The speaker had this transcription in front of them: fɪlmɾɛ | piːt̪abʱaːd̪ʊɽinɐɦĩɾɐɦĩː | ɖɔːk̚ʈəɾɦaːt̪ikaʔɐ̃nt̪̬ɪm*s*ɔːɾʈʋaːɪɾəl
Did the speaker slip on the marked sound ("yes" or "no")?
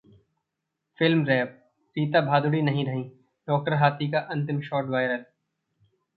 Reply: yes